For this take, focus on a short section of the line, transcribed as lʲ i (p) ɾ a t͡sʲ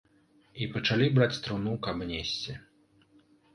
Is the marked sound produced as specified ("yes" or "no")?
no